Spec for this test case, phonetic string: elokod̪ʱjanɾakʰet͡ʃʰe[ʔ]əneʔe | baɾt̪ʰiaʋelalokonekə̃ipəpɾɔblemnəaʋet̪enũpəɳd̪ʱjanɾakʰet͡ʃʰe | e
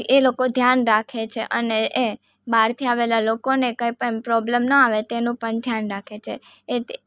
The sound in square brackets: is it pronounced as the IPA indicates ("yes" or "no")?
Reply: yes